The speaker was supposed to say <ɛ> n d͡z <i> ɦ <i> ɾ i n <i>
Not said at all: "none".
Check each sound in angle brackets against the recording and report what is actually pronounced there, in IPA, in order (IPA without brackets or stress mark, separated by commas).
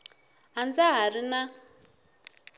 a, a, a, a